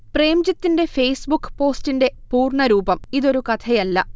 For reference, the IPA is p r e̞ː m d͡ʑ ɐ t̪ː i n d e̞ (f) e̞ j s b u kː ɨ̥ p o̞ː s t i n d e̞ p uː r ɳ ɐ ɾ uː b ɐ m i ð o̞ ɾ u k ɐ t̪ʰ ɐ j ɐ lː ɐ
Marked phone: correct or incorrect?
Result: correct